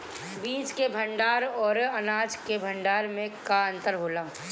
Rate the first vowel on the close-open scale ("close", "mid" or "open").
close